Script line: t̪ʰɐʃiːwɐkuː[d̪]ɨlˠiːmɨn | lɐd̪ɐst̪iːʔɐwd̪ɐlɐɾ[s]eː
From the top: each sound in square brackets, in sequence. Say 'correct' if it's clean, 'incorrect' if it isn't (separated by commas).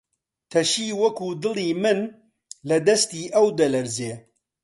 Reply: correct, incorrect